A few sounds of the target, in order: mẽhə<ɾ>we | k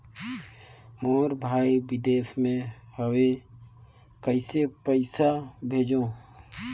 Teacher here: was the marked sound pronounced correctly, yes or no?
no